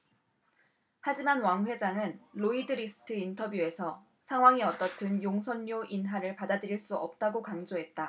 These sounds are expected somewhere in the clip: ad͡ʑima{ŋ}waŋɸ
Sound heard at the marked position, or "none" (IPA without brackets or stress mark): n